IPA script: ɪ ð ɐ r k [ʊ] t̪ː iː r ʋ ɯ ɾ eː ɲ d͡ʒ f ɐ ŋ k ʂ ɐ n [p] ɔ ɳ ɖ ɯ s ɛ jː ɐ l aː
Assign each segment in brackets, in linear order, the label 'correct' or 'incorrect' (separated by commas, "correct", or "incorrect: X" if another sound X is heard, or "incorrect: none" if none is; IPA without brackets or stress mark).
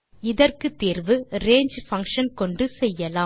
incorrect: ɯ, incorrect: k